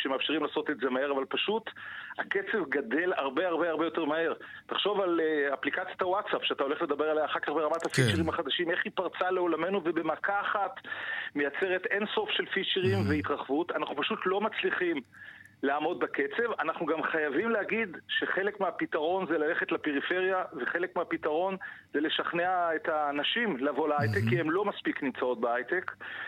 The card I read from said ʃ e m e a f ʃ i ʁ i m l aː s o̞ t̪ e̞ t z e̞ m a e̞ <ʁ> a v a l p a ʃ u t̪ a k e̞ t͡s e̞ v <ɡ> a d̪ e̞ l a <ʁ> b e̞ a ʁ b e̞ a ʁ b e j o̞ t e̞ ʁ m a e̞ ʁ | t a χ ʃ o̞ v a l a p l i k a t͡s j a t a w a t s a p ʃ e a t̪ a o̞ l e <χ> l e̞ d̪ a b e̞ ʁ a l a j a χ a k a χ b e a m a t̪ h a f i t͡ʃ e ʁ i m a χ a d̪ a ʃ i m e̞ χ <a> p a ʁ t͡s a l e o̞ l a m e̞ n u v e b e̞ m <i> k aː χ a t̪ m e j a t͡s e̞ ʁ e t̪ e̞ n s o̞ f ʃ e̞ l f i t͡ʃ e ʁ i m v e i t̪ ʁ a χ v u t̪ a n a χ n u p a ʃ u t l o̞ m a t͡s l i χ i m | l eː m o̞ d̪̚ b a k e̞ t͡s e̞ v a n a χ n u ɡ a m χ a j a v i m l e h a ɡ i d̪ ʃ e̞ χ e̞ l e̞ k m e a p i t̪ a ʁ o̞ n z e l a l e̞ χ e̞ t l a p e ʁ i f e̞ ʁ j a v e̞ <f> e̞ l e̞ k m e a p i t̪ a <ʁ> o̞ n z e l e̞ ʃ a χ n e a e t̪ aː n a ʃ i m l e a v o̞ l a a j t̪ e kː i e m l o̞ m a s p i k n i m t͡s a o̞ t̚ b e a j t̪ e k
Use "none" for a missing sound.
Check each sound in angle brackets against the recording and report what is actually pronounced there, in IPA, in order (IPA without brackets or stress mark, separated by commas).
ʁ, ɡ, ʁ, χ, i, a, χ, ʁ